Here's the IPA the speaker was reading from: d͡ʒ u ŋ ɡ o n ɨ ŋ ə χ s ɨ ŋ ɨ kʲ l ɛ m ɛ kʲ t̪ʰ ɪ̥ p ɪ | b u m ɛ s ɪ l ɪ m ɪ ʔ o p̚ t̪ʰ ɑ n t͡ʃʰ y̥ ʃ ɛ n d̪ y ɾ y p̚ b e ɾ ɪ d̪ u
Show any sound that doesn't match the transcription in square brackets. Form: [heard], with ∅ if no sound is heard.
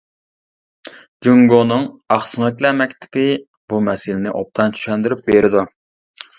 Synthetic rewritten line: d͡ʒ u ŋ ɡ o n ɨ ŋ [ɑ] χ s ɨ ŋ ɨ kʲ l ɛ m ɛ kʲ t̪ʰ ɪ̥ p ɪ | b u m ɛ s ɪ l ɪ [n] ɪ ʔ o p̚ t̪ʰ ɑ n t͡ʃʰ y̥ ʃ ɛ n d̪ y ɾ y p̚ b e ɾ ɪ d̪ u